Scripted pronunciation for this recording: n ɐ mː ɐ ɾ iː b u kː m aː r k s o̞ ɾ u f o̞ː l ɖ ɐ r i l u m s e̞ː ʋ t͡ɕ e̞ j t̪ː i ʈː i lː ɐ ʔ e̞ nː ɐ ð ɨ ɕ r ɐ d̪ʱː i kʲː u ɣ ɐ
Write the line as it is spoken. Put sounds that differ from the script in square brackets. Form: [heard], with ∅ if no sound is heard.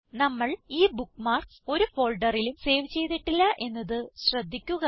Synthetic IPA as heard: n ɐ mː ɐ [ɭ] iː b u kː m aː r k s o̞ ɾ u f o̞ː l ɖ ɐ r i l u m s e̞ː ʋ t͡ɕ e̞ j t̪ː i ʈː i lː ɐ ʔ e̞ nː ɐ ð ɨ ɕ r ɐ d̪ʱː i kʲː u ɣ ɐ